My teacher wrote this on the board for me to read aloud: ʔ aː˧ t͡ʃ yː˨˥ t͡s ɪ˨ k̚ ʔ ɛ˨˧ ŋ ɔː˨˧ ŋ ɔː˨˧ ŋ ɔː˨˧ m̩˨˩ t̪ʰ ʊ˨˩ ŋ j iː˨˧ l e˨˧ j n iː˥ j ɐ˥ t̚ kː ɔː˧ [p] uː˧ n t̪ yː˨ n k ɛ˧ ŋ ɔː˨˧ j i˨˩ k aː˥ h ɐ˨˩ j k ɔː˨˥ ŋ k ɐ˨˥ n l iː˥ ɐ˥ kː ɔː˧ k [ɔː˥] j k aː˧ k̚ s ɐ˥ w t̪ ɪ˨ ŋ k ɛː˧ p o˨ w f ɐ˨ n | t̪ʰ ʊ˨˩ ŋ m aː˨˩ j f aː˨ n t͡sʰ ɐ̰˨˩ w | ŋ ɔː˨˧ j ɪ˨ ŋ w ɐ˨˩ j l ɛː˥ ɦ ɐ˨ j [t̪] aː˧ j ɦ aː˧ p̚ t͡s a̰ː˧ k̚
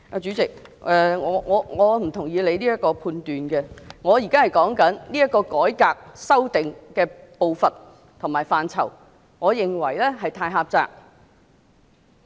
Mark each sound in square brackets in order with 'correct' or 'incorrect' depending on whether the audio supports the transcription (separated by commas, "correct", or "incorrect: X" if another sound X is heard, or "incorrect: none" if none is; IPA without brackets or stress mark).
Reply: incorrect: pʰ, incorrect: ɔː˨˥, incorrect: t̪ʰ